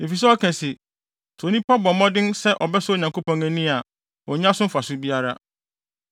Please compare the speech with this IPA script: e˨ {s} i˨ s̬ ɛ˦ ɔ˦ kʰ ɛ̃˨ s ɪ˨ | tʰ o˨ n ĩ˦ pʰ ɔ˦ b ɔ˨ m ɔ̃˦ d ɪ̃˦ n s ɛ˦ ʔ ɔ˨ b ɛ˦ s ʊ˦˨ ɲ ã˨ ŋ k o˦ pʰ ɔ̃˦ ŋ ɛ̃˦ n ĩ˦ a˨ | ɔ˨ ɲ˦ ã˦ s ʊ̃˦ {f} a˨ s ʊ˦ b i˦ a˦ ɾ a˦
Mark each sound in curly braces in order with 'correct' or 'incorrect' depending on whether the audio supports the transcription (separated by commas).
incorrect, correct